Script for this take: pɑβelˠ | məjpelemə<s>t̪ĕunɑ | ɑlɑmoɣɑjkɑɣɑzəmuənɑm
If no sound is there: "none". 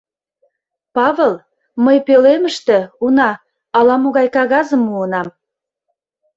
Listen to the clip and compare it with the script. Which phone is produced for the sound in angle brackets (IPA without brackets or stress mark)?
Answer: ʃ